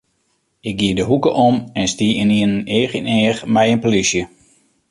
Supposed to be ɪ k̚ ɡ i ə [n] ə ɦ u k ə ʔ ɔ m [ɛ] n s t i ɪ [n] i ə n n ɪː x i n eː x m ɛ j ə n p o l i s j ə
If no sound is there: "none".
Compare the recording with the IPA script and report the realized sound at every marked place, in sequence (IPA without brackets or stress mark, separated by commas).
d, ɛ, n